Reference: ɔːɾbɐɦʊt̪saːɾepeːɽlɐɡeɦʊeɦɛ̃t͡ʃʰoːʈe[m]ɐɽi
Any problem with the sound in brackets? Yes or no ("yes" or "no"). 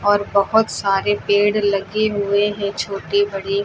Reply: yes